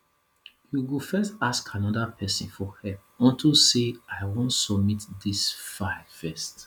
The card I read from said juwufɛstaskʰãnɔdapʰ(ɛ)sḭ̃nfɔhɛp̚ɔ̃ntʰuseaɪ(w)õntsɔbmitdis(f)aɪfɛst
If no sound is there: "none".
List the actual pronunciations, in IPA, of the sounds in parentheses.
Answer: ɛ, w, f

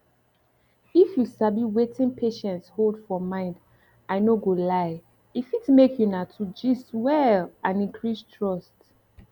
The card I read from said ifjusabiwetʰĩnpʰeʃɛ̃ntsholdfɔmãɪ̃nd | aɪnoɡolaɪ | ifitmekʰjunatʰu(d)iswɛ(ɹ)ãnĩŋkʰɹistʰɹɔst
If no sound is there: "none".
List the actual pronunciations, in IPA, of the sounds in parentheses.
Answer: d͡ʒ, l

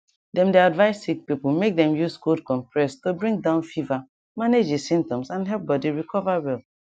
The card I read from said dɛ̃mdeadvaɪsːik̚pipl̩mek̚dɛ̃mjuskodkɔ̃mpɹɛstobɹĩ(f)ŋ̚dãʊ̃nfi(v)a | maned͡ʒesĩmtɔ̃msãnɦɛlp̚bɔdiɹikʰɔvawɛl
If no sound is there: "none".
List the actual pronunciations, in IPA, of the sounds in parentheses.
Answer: none, v

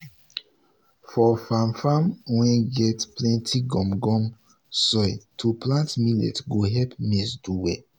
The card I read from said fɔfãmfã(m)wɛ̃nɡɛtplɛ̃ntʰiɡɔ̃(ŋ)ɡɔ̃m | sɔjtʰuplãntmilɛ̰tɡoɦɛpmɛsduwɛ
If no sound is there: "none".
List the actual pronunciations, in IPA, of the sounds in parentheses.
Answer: m, m

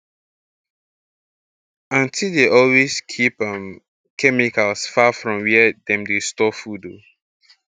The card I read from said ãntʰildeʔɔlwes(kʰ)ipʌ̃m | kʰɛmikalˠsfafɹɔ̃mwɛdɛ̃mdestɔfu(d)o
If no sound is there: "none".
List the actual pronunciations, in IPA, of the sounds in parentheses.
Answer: kʰ, d

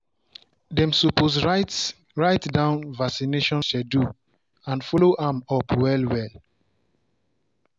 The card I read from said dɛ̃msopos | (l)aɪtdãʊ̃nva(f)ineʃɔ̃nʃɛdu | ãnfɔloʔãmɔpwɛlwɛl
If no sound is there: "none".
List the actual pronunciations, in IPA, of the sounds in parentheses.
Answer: ɹ, s

